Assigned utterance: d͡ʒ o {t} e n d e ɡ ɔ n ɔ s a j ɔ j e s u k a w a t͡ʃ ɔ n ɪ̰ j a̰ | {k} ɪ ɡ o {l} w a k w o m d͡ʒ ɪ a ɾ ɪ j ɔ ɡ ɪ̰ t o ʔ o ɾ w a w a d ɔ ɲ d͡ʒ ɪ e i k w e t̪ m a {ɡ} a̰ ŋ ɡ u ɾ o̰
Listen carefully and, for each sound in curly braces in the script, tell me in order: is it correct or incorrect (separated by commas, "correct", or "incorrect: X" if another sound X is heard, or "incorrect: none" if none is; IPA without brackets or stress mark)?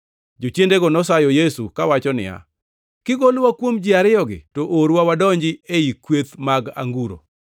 incorrect: t͡ʃ, correct, correct, correct